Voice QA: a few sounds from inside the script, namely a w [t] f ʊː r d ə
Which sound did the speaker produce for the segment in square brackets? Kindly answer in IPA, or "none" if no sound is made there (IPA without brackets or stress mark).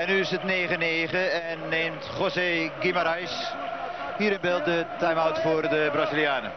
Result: t